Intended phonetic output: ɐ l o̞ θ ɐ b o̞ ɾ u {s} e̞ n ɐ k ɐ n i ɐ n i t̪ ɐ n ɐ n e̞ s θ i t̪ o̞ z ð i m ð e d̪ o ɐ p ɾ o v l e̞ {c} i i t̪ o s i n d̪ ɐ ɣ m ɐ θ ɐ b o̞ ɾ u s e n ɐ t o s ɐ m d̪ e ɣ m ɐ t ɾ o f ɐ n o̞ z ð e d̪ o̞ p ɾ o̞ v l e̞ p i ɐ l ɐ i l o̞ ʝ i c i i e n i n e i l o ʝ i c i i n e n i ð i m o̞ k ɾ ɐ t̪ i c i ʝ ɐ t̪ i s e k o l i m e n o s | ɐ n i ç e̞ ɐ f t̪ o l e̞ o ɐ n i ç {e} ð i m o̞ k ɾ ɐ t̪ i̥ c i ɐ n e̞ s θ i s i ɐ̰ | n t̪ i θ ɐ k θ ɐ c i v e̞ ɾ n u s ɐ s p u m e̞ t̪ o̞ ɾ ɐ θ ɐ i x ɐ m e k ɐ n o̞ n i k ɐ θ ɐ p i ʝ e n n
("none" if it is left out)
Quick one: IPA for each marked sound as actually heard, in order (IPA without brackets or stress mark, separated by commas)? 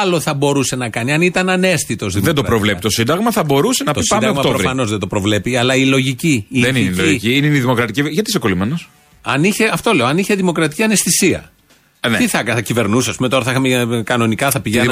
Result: s, p, e